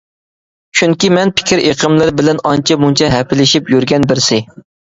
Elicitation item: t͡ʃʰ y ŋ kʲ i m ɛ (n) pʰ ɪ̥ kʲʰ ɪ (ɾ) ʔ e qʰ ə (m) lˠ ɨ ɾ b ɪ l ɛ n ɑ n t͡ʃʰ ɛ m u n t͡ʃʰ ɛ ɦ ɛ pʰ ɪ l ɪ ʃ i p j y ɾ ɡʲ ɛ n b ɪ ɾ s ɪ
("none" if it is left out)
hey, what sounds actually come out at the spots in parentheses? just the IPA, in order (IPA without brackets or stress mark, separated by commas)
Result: n, ɾ, m